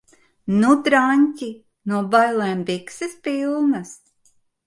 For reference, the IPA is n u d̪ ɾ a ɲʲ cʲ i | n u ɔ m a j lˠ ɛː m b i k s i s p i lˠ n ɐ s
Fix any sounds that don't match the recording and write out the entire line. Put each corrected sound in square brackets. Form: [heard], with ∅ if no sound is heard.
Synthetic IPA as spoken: n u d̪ ɾ a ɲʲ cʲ i | n u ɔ [b] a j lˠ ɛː m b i k s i s p i lˠ n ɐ s